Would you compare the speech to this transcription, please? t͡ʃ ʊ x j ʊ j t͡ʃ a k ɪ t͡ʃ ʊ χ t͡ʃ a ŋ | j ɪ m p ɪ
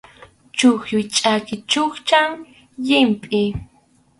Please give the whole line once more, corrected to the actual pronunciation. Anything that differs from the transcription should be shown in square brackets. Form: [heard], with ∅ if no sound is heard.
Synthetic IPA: t͡ʃ ʊ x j ʊ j [t͡ʃʼ] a k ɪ t͡ʃ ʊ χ t͡ʃ a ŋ | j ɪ m [pʼ] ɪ

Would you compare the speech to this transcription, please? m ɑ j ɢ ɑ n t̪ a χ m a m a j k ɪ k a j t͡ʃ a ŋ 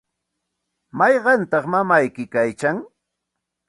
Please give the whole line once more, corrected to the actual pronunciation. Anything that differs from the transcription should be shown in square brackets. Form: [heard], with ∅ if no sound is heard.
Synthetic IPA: m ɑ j ɢ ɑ n t̪ [ɑ] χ m a m a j k ɪ k a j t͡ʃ a ŋ

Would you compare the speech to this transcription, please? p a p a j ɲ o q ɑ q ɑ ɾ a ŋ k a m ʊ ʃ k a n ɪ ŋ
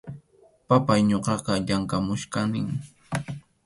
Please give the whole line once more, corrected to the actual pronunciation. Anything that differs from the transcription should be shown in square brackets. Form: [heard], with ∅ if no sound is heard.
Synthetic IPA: p a p a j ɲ o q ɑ q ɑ [ʎ] a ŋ k a m ʊ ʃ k a n ɪ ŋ

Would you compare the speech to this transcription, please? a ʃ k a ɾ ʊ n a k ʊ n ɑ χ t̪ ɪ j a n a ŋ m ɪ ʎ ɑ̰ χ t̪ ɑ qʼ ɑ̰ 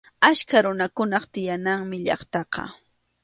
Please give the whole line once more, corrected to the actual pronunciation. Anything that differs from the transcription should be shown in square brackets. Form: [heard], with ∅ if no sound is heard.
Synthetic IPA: a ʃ k a ɾ ʊ n a k ʊ n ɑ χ t̪ ɪ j a n a ŋ m ɪ ʎ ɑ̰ χ t̪ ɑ [q] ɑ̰

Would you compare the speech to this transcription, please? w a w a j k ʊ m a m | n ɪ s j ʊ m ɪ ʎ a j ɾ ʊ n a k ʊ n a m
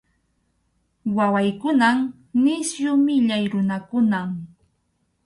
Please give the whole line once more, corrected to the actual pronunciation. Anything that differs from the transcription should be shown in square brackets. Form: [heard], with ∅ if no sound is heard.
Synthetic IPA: w a w a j k ʊ [n] a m | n ɪ s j ʊ m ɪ ʎ a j ɾ ʊ n a k ʊ n a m

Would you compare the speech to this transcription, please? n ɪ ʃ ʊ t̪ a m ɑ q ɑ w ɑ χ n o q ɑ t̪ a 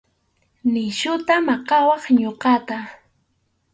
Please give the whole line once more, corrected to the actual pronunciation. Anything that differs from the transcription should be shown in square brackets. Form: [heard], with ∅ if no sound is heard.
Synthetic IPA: n ɪ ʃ ʊ t̪ a m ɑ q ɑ w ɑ χ [ɲ] o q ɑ t̪ a

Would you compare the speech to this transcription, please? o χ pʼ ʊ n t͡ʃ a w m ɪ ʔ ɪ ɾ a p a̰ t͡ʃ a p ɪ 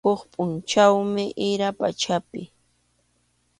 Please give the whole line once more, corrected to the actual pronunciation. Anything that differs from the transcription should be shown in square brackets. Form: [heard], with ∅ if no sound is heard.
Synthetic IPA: o χ pʼ ʊ n t͡ʃ a w m ɪ ʔ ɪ ɾ a p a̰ t͡ʃ a p ɪ

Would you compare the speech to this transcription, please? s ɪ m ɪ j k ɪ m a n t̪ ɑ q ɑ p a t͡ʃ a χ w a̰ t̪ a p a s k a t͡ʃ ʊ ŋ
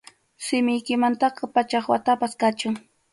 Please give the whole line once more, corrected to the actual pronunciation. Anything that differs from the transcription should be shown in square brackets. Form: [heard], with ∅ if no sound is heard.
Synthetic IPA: s ɪ m ɪ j k ɪ m a n t̪ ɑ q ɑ p a t͡ʃ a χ w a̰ t̪ a p a s k a t͡ʃ ʊ ŋ

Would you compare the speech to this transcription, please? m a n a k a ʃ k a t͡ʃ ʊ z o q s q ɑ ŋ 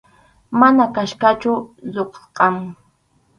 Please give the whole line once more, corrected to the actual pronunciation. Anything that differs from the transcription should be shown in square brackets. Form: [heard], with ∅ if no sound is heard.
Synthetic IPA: m a n a k a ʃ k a t͡ʃ ʊ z o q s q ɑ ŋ

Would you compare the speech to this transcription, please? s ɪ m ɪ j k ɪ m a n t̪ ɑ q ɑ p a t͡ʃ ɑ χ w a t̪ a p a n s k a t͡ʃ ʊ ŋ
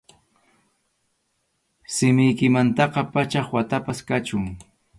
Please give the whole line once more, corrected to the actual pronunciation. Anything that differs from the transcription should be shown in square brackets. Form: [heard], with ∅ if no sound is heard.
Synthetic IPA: s ɪ m ɪ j k ɪ m a n t̪ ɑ q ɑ p a t͡ʃ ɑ χ w a t̪ a p a [∅] s k a t͡ʃ ʊ ŋ

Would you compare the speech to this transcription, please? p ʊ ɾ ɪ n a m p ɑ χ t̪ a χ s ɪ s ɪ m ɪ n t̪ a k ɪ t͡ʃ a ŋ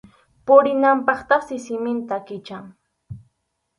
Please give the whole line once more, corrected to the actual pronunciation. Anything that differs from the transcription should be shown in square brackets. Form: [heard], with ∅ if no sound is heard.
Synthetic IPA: p ʊ ɾ ɪ n a m p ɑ χ t̪ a χ s ɪ s ɪ m ɪ n t̪ a k ɪ t͡ʃ a ŋ

